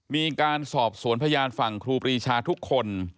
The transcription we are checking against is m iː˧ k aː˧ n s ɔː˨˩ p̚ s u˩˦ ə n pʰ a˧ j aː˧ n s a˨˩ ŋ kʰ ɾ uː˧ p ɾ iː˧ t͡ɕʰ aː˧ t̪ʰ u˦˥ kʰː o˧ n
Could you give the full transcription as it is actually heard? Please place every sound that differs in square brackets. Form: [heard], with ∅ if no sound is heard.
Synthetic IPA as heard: m iː˧ k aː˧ n s ɔː˨˩ p̚ s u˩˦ ə n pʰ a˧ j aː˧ n [f] a˨˩ ŋ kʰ ɾ uː˧ p ɾ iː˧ t͡ɕʰ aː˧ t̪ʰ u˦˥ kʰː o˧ n